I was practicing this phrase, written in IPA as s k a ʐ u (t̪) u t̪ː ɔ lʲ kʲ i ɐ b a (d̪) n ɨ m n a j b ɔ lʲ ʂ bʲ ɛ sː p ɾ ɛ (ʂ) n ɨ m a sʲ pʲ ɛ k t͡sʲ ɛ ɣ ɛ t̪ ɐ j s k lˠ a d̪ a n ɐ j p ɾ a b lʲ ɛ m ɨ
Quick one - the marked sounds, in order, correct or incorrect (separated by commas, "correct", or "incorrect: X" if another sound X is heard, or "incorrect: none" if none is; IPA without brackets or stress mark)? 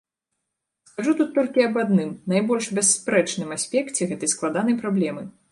correct, correct, incorrect: t͡ʂ